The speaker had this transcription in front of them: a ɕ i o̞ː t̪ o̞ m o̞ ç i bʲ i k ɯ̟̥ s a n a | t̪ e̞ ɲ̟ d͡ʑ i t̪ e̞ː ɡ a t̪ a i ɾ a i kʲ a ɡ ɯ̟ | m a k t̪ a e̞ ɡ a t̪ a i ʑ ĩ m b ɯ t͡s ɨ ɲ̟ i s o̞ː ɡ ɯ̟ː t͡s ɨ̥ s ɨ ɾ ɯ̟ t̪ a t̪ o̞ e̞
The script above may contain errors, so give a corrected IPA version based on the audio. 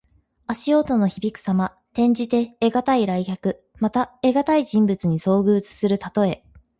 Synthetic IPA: a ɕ i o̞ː t̪ o̞ n o̞ ç i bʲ i k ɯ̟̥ s a m a | t̪ ẽ̞ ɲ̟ d͡ʑ i t̪ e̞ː ɡ a t̪ a i ɾ a i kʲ a k ɯ̟ | m a t̪ a e̞ ɡ a t̪ a i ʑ ĩ m b ɯ t͡s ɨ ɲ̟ i s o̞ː ɡ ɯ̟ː t͡s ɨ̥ s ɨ ɾ ɯ̟ t̪ a t̪ o̞ e̞